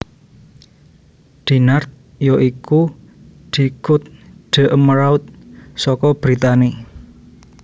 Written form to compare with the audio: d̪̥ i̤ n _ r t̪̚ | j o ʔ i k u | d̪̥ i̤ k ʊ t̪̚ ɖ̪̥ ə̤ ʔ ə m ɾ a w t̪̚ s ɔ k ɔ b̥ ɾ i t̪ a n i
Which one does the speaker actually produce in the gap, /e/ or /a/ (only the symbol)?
a